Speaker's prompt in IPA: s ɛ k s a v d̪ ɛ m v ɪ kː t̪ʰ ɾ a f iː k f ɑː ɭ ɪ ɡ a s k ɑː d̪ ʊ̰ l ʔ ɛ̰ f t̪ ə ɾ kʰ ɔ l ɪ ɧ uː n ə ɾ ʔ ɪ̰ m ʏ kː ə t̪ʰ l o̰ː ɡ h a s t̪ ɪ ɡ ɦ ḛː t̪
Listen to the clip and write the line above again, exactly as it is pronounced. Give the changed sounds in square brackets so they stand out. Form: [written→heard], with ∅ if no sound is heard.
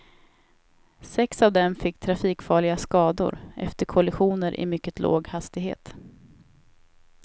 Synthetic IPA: s ɛ k s a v d̪ ɛ m [v→f] ɪ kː t̪ʰ ɾ a f iː k f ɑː ɭ ɪ ɡ a s k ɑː d̪ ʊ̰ [l→ɾ] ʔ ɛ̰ f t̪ ə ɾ kʰ ɔ l ɪ ɧ uː n ə ɾ ʔ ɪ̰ m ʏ kː ə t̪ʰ l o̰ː ɡ h a s t̪ ɪ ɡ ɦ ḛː t̪